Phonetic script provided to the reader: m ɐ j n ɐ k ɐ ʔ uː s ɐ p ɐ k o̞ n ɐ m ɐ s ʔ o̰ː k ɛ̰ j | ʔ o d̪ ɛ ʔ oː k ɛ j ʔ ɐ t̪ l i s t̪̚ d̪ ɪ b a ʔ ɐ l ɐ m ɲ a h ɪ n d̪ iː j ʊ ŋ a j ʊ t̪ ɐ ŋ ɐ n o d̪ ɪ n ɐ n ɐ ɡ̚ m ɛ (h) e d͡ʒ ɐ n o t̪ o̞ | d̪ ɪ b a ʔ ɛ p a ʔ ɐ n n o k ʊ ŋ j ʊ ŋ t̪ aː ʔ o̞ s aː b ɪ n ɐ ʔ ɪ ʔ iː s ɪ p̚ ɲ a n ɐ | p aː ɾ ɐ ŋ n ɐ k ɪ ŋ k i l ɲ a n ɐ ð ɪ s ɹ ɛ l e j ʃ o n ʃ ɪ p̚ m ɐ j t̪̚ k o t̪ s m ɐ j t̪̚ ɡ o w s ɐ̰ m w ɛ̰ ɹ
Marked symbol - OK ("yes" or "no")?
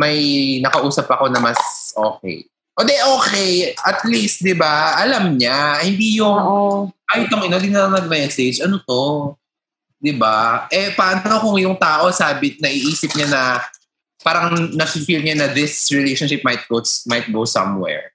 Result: no